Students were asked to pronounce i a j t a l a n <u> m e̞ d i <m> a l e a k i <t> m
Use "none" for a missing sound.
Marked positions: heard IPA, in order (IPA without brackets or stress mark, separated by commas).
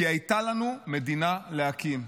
u, n, none